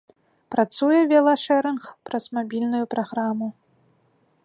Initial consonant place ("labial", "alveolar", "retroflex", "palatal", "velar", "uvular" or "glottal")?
labial